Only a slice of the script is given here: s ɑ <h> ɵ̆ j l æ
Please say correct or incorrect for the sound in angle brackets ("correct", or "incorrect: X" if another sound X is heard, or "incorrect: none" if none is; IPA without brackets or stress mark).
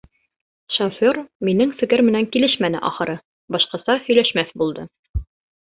correct